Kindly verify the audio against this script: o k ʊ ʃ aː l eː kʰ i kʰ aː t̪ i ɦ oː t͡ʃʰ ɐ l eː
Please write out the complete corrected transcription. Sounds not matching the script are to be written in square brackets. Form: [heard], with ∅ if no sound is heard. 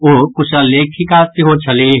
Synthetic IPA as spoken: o k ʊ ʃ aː l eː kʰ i [k] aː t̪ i ɦ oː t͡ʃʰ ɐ l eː